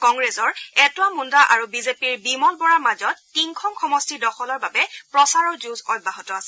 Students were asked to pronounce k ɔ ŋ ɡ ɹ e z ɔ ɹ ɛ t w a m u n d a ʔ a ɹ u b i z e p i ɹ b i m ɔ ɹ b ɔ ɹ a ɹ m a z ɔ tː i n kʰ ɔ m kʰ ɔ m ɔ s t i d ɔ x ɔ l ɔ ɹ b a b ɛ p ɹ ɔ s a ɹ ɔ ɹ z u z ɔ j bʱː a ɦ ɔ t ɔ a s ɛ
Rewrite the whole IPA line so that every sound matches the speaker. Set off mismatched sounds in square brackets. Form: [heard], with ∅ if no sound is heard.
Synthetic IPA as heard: k ɔ ŋ ɡ ɹ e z ɔ ɹ ɛ t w a m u n d a ʔ a ɹ u b i z e p i ɹ b i m ɔ [l] b ɔ ɹ a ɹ m a z ɔ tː i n kʰ ɔ m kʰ ɔ m ɔ s t i d ɔ x ɔ l ɔ ɹ b a b ɛ p ɹ ɔ s a ɹ ɔ ɹ z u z ɔ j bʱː a ɦ ɔ t ɔ a s ɛ